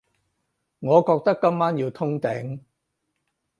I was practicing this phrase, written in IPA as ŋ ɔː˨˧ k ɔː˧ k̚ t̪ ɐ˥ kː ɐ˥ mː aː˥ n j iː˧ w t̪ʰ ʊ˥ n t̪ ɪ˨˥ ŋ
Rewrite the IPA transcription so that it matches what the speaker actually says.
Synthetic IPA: ŋ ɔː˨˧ k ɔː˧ k̚ t̪ ɐ˥ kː ɐ˥ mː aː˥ n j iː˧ w t̪ʰ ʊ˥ ŋ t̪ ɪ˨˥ ŋ